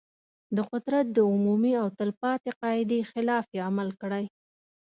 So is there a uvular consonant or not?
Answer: yes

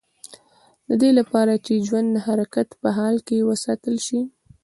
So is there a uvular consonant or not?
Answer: no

